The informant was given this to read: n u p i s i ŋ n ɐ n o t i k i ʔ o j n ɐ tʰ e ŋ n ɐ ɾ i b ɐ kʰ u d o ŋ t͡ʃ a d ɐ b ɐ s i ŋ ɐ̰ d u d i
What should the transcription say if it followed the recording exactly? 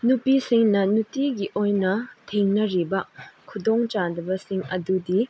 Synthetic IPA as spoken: n u p i s i ŋ n ɐ n u t i ɡ i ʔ o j n ɐ tʰ e ŋ n ɐ ɾ i b ɐ kʰ u d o ŋ t͡ʃ a d ɐ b ɐ s i ŋ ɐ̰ d u d i